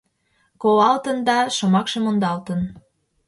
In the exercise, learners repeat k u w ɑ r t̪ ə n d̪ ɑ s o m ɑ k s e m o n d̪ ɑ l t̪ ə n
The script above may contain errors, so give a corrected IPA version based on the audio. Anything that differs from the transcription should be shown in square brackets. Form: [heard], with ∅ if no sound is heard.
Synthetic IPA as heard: k [o] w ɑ [l] t̪ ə n d̪ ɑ [ʃ] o m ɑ k [ʃ] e m o n d̪ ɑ l t̪ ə n